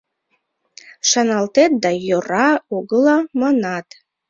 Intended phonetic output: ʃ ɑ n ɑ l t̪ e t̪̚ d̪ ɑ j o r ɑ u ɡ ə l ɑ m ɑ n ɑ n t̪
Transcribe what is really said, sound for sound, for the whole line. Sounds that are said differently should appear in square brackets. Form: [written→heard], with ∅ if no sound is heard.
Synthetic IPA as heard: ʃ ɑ n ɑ l t̪ e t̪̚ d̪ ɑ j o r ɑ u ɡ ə l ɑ m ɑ n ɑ [n→∅] t̪